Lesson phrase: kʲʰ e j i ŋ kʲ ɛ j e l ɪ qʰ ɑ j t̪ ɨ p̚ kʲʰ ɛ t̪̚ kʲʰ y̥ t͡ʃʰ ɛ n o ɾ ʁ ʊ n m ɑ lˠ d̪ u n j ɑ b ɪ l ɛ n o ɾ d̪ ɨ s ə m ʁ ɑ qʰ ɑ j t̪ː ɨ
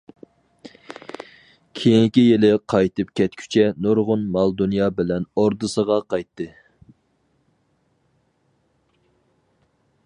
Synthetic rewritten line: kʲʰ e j i ŋ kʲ i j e l ɪ qʰ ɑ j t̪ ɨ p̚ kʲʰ ɛ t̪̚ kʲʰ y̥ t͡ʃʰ ɛ n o ɾ ʁ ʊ n m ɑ lˠ d̪ u n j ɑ b ɪ l ɛ n o ɾ d̪ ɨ s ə ʁ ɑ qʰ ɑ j t̪ː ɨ